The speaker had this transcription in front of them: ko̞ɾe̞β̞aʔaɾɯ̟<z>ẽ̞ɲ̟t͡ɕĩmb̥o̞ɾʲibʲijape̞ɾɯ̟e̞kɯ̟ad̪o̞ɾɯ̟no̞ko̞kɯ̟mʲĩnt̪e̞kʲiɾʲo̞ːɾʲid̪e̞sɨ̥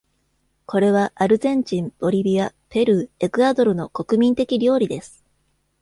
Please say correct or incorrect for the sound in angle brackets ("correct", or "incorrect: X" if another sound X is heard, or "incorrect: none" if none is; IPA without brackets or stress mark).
correct